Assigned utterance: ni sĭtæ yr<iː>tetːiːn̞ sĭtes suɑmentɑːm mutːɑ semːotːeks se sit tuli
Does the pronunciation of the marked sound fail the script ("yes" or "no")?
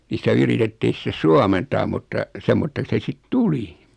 yes